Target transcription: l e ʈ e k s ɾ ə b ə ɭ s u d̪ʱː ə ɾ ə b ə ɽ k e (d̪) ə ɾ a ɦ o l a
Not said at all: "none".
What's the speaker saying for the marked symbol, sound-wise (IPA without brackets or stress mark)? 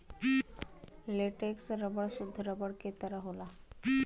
t̪